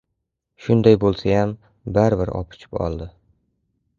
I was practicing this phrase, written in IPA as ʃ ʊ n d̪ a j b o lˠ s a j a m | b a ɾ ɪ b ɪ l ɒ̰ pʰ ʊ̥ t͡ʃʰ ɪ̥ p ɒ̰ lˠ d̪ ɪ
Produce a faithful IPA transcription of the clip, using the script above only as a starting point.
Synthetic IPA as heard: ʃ ʊ n d̪ a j b o lˠ s a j a m | b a ɾ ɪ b ɪ ɾ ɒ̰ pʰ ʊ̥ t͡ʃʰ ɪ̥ p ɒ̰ lˠ d̪ ɪ